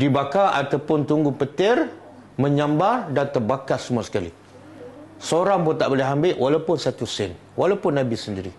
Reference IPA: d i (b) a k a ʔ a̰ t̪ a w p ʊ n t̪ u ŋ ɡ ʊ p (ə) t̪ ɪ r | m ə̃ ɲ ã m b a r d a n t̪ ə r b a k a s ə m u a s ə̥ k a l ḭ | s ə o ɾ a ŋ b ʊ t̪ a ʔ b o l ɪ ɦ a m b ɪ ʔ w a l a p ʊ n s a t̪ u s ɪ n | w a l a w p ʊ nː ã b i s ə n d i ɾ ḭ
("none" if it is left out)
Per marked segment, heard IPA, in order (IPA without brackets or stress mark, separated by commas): b, ə